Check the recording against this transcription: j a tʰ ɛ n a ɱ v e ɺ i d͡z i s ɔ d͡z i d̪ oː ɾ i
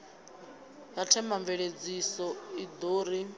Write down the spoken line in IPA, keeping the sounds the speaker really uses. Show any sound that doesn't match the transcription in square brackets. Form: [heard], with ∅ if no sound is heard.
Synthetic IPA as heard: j a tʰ ɛ [m] a ɱ v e ɺ [e] d͡z i s ɔ [∅] i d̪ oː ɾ i